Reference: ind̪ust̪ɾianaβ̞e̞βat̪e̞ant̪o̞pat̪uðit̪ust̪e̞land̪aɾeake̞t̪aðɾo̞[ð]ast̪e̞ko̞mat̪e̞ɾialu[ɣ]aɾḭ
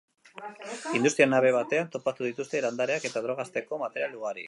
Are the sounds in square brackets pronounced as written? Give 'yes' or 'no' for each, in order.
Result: no, yes

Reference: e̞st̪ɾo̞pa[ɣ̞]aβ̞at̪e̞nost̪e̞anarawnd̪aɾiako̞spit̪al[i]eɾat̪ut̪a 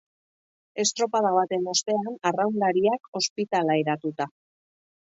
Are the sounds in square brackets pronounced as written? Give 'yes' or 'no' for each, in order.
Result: no, no

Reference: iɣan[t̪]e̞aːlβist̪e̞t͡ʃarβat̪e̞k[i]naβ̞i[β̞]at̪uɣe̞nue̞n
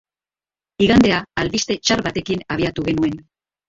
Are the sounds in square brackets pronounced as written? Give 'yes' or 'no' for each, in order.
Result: no, yes, no

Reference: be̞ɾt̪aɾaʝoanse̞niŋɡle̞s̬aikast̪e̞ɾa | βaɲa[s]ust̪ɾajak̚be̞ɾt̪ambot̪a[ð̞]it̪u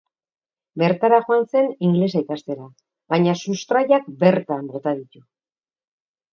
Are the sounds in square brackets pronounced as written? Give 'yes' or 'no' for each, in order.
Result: yes, yes

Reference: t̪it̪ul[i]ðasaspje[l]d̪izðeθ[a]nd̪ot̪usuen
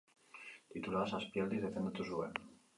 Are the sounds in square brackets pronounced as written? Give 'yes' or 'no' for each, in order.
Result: no, yes, no

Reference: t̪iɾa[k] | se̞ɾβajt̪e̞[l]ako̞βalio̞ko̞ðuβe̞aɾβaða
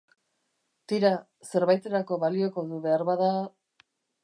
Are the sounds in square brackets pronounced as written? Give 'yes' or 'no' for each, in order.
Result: no, no

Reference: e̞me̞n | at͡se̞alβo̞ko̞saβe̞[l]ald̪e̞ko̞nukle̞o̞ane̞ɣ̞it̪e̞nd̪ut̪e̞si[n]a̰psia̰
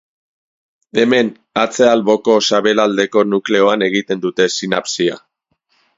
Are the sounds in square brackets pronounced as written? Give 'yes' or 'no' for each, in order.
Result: yes, yes

